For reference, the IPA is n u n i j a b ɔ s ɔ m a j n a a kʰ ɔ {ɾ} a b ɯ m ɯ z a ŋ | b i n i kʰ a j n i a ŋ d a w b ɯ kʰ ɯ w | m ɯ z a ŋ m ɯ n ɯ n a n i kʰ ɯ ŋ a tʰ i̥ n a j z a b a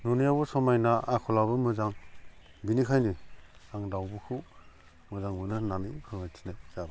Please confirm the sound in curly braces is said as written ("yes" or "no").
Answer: no